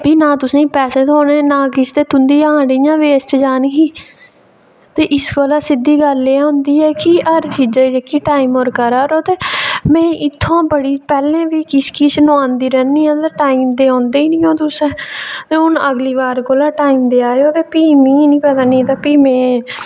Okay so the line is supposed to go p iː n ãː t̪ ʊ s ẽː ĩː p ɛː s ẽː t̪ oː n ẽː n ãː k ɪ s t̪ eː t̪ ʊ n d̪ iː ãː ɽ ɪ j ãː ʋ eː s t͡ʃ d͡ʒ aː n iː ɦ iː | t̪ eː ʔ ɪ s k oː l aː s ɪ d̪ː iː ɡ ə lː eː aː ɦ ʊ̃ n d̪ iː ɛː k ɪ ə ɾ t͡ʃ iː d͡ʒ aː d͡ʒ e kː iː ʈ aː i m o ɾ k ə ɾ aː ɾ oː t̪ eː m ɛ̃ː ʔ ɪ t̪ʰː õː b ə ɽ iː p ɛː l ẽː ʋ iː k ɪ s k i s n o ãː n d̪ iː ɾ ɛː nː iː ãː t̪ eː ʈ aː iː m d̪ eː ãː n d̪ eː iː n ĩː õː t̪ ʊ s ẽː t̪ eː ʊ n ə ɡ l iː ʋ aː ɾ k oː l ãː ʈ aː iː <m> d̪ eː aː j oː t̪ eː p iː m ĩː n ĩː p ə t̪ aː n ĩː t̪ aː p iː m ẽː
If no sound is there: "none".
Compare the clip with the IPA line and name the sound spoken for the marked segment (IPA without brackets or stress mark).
m